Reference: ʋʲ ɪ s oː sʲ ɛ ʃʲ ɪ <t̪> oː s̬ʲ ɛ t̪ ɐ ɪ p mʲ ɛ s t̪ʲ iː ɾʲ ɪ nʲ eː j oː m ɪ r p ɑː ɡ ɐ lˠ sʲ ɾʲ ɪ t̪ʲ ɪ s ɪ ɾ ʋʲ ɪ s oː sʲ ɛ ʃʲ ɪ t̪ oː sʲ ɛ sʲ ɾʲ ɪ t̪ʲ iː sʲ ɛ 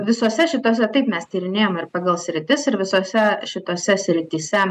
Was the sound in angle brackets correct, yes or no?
yes